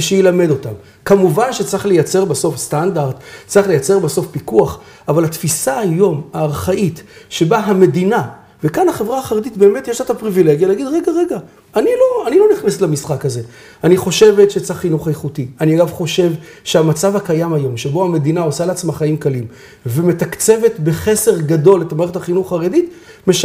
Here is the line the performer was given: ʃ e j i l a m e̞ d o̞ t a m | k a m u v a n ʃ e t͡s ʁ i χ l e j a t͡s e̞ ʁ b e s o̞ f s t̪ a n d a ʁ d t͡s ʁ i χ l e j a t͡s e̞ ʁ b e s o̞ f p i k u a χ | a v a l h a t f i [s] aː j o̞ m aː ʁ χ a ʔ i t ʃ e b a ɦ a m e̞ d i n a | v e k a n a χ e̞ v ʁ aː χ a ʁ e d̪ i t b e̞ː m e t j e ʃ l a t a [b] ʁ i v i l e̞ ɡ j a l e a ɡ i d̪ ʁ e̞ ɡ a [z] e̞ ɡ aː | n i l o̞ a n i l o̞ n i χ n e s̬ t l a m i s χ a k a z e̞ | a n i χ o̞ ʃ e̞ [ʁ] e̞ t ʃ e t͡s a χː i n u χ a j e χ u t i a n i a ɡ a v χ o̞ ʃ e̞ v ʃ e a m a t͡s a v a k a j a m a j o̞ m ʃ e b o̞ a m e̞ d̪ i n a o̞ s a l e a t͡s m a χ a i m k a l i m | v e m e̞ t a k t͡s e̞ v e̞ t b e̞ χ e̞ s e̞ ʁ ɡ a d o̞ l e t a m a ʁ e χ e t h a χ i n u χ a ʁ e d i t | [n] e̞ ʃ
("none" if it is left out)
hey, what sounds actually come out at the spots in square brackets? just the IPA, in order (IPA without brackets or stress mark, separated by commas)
s, p, ʁ, v, m